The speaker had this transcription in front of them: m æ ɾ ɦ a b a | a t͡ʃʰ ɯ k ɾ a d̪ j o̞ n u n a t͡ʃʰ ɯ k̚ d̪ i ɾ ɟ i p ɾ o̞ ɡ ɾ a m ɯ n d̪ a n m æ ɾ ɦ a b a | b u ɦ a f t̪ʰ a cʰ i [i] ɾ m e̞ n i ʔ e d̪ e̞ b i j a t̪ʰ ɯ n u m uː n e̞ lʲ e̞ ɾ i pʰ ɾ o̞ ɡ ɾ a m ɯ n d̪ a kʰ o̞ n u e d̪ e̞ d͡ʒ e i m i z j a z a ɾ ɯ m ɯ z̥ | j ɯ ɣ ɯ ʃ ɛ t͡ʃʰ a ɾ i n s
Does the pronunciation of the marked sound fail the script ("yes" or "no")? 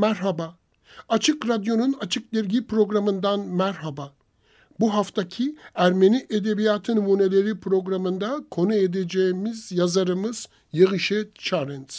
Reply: yes